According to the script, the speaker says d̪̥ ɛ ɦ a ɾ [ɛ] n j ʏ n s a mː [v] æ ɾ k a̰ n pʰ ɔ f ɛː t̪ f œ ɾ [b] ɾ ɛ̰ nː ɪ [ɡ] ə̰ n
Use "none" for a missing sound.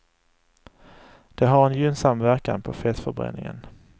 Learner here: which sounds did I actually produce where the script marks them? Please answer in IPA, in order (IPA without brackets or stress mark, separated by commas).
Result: ɛ, v, b, ŋ